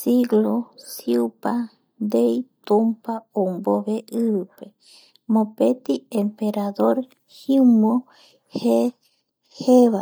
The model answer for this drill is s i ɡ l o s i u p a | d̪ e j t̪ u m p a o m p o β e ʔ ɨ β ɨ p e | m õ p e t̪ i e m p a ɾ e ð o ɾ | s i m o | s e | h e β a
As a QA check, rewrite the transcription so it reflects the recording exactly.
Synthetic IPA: s i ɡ l o s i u p a | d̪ e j t̪ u m p a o m b o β e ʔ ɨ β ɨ p e | m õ p e t̪ i e m p e ɾ a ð o ɾ | h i m o | h e | h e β a